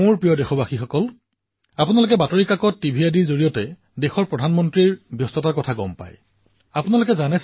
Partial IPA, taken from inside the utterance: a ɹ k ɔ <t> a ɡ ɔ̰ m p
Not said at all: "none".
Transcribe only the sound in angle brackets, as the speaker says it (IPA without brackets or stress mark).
tʰ